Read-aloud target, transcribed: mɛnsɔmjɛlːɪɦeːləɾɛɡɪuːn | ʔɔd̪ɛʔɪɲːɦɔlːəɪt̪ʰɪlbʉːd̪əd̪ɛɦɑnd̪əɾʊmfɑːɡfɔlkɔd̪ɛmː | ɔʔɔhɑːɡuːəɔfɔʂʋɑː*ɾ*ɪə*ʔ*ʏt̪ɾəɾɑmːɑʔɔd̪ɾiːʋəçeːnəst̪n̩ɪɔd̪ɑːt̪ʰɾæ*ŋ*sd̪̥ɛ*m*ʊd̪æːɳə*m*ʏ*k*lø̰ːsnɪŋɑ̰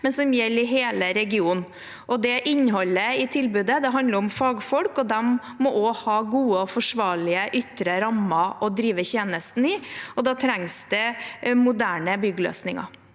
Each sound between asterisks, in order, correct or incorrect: incorrect: ɭ, correct, correct, correct, incorrect: b, incorrect: ɡ

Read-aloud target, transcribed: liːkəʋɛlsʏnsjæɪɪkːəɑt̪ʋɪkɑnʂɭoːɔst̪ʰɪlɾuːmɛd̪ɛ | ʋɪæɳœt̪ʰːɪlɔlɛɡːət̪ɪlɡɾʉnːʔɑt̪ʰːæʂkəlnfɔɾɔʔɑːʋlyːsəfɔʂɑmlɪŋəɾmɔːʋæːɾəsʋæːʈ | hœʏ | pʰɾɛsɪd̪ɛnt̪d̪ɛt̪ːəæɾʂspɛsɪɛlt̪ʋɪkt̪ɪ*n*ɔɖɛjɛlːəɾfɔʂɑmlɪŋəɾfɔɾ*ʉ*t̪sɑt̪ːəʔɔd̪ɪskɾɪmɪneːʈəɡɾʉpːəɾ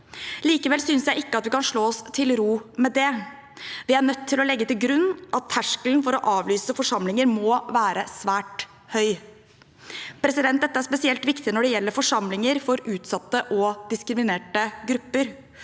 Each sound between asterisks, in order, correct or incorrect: correct, incorrect: ʉː

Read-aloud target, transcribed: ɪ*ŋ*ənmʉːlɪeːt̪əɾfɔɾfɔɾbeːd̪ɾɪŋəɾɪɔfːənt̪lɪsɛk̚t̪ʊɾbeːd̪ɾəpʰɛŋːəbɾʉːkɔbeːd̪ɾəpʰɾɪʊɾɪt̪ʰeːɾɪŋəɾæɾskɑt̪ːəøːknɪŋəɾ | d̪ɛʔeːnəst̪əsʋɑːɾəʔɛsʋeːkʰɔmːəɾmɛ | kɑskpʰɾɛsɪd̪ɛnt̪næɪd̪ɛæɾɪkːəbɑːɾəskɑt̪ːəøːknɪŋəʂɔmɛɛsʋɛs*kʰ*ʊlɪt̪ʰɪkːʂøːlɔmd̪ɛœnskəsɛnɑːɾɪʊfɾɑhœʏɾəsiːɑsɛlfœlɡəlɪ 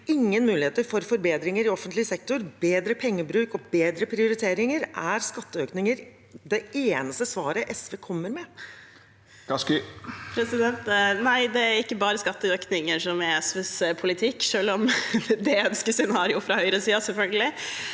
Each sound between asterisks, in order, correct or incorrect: incorrect: ŋː, incorrect: pʰ

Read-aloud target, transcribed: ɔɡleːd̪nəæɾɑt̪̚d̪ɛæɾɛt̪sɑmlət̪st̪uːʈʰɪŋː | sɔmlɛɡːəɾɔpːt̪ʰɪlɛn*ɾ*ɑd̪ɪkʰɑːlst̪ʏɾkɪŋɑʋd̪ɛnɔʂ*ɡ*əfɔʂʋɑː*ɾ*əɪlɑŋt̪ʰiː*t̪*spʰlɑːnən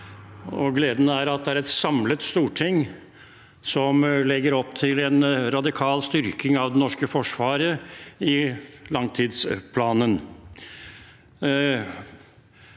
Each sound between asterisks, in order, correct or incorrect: correct, incorrect: k, correct, incorrect: d̪

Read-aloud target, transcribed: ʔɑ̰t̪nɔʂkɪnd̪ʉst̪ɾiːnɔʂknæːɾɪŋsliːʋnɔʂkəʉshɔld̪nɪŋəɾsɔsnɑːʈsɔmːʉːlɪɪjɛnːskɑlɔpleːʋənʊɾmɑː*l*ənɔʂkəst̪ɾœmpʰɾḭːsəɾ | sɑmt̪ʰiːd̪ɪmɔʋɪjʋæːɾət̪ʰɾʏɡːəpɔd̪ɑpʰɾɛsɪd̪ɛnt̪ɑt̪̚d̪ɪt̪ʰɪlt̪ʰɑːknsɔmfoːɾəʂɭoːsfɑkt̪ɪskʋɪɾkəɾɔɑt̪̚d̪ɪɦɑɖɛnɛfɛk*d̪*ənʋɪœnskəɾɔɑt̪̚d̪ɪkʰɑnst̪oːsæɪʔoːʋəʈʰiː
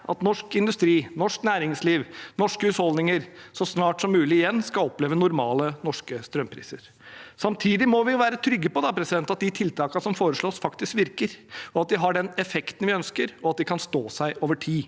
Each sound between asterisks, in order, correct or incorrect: correct, incorrect: t̪

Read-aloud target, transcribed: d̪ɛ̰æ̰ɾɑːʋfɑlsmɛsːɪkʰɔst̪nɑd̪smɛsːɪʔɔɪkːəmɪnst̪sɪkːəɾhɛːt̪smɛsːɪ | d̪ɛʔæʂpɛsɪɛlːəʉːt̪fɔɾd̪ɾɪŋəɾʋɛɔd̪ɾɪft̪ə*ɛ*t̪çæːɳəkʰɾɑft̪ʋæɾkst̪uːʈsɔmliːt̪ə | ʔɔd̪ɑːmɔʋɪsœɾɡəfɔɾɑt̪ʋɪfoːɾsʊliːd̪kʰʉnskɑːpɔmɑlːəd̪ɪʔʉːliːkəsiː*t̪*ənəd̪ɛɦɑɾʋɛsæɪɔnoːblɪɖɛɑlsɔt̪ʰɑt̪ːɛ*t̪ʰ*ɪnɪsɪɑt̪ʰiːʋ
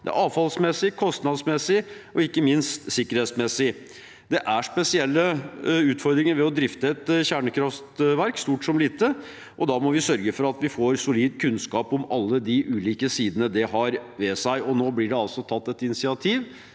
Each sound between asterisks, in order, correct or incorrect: correct, incorrect: d̪, incorrect: t̪

